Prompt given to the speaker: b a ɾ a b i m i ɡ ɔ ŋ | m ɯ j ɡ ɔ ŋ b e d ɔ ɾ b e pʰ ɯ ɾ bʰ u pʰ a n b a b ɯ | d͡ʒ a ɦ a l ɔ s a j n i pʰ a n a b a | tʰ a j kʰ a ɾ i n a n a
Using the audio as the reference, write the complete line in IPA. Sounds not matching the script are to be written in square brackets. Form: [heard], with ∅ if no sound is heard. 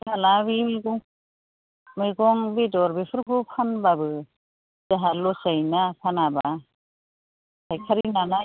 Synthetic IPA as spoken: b a [l] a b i m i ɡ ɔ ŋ | m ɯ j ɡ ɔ ŋ b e d ɔ ɾ b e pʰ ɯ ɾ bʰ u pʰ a n b a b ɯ | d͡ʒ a ɦ a l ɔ s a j n [a] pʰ a n a b a | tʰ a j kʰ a ɾ i n a n a